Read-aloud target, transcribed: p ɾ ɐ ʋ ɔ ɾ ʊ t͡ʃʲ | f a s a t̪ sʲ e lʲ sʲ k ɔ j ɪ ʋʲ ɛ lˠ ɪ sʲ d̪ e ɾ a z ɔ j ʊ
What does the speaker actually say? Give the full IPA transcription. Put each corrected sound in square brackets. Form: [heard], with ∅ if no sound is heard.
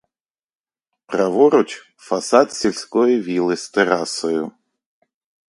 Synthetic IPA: p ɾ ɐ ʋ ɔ ɾ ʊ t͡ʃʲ | f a s a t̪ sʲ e lʲ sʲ k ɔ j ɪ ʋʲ [i] lˠ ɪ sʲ [t̪] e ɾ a [s] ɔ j ʊ